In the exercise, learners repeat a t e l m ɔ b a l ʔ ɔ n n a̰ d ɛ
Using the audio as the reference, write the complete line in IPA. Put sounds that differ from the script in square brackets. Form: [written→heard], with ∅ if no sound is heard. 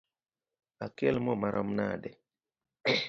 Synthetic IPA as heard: a [t→k] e l m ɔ [b→m] a [l→ɾ] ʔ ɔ [n→m] n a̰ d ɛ